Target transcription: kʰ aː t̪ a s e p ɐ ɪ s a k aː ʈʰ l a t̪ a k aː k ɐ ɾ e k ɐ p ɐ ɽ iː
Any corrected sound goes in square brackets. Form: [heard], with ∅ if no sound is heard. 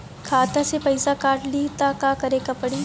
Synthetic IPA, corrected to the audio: kʰ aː t̪ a s e p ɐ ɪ s a k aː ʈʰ l [i] t̪ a k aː k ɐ ɾ e k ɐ p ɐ ɽ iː